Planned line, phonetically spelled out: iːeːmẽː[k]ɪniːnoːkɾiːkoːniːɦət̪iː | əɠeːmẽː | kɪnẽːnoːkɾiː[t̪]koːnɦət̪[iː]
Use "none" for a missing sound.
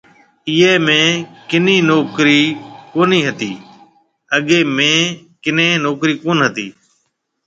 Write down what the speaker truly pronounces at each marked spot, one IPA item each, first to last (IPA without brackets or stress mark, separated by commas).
k, none, iː